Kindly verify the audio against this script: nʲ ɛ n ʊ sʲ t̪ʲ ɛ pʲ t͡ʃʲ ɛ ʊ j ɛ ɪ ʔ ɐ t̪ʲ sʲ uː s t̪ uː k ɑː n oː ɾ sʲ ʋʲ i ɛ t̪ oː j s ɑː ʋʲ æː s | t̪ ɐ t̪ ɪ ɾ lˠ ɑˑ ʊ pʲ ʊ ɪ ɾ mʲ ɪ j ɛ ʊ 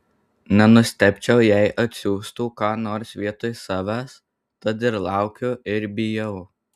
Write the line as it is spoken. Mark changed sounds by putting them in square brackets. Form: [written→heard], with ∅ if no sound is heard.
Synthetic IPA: nʲ ɛ n ʊ sʲ t̪ʲ ɛ pʲ t͡ʃʲ ɛ ʊ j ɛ ɪ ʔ ɐ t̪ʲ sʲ uː s t̪ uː k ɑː n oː ɾ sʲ ʋʲ i ɛ t̪ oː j s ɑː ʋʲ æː s | t̪ ɐ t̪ ɪ ɾ lˠ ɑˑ ʊ [pʲ→kʲ] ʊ ɪ ɾ [mʲ→bʲ] ɪ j ɛ ʊ